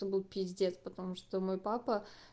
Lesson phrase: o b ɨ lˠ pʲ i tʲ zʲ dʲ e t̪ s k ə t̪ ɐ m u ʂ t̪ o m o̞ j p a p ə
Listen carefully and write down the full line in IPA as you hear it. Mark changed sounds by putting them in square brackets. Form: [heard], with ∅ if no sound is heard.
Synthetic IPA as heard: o b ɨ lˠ pʲ i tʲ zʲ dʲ e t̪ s [p] ə t̪ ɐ m u ʂ t̪ o m o̞ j p a p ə